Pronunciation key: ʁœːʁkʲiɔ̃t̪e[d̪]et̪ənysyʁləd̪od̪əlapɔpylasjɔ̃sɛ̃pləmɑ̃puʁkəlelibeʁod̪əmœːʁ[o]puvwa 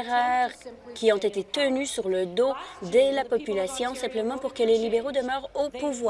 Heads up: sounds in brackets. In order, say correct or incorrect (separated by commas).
incorrect, correct